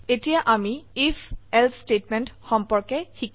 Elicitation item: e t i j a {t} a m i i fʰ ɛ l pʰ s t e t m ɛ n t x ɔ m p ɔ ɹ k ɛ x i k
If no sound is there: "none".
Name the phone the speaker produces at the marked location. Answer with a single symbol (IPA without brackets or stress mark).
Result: ʔ